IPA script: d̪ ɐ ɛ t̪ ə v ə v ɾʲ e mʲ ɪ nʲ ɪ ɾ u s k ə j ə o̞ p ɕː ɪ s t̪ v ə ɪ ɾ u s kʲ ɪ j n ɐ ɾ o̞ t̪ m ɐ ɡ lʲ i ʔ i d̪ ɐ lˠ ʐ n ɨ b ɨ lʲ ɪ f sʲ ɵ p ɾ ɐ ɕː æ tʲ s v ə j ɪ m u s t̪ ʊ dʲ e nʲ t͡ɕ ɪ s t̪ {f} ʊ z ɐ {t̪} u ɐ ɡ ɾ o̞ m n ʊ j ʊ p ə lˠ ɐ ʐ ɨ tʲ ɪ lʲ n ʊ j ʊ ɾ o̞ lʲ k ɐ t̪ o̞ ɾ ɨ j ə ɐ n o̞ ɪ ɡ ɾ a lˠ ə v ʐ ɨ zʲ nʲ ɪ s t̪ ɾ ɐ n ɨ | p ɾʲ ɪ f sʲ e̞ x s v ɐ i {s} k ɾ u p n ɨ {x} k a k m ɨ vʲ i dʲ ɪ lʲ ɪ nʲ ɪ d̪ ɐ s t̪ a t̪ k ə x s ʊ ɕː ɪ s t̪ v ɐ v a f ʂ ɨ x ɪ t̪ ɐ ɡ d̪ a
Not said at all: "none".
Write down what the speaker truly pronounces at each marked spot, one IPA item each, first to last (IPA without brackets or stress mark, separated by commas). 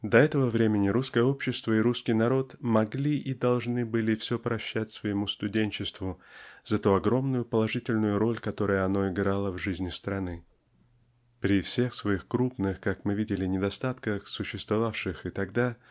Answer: v, t̪, x, x